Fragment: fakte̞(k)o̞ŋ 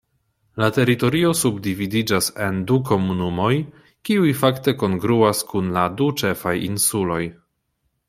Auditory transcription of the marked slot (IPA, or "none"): k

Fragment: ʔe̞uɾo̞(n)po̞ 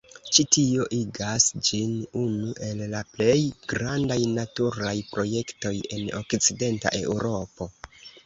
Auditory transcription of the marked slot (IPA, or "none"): none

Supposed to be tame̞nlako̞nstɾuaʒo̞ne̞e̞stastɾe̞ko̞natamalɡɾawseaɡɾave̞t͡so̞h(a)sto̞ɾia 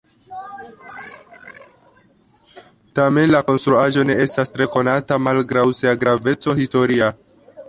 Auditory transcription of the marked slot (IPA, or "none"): i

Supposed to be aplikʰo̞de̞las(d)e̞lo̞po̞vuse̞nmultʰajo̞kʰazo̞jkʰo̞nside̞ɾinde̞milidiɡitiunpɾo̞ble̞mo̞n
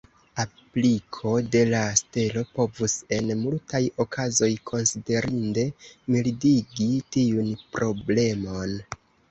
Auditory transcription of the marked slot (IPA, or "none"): t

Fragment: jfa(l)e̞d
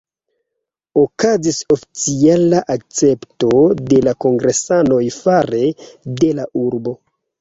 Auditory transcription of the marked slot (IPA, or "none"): ɾ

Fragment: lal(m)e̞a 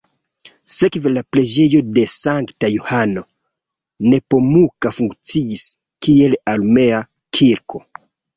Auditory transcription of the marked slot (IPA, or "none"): m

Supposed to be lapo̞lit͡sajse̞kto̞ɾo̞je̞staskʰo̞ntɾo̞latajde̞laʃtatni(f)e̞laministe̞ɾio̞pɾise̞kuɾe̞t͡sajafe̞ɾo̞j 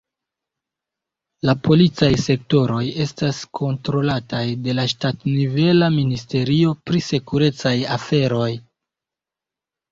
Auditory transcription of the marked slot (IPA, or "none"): v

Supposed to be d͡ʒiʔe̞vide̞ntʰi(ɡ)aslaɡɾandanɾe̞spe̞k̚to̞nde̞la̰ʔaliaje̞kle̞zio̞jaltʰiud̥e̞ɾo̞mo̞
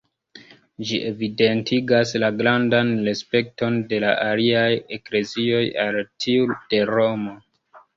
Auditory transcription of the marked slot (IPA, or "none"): ɡ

